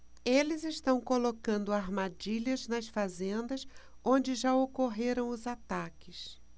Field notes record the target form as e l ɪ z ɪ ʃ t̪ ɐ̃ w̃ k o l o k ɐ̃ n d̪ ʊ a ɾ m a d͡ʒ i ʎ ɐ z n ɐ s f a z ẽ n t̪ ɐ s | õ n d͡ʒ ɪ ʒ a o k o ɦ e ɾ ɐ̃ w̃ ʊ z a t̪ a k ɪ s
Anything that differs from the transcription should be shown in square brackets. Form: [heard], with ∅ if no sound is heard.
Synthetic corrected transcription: e l ɪ z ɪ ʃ t̪ ɐ̃ w̃ k o l o k ɐ̃ n d̪ ʊ a ɾ m a d͡ʒ i ʎ ɐ z n ɐ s f a z ẽ n [d̪] ɐ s | õ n d͡ʒ ɪ ʒ a o k o ɦ e ɾ ɐ̃ w̃ ʊ z a t̪ a k ɪ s